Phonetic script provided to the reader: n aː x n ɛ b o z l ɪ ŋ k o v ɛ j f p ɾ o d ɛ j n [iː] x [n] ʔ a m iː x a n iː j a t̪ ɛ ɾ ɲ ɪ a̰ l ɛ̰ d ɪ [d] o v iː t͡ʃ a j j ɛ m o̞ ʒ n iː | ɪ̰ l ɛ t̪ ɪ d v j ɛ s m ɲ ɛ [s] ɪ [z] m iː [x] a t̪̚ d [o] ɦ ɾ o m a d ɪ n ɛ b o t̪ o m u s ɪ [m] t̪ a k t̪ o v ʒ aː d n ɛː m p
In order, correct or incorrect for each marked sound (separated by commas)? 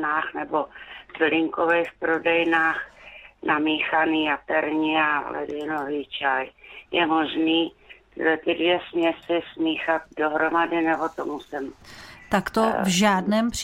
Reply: incorrect, correct, incorrect, correct, incorrect, correct, correct, correct